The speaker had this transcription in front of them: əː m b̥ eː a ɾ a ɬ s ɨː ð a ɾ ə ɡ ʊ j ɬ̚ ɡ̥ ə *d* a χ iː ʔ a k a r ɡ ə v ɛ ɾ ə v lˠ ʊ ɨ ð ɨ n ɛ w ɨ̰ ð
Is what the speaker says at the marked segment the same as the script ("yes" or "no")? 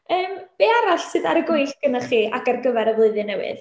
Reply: no